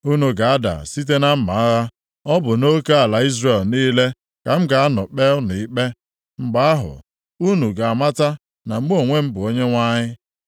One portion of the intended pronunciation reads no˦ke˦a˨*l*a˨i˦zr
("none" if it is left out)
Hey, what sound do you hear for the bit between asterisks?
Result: l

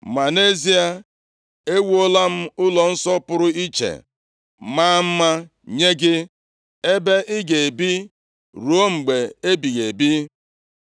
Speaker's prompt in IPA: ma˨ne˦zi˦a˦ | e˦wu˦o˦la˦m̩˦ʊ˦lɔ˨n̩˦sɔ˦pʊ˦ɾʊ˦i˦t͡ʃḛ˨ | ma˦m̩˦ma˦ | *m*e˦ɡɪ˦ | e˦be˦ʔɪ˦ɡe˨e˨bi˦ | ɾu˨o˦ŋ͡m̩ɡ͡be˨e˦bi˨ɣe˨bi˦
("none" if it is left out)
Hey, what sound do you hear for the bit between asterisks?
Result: ɲ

